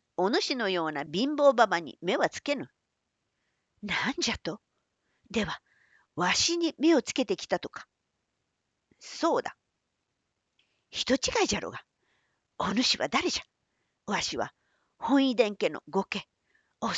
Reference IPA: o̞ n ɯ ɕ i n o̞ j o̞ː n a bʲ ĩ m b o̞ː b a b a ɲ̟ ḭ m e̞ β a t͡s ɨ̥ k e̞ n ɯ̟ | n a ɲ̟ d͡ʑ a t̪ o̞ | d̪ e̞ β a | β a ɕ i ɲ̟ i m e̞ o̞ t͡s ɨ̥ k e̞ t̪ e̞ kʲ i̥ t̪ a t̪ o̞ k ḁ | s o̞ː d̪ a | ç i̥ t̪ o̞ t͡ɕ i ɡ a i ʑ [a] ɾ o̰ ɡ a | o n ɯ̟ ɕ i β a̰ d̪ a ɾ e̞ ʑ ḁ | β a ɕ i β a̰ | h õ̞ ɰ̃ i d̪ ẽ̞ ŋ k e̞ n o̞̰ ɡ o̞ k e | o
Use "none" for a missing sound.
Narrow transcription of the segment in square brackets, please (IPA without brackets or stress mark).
a